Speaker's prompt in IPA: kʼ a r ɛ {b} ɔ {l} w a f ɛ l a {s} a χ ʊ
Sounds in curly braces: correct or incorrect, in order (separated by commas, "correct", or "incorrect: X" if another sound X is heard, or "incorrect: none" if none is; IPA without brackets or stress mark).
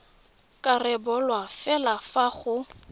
correct, correct, incorrect: f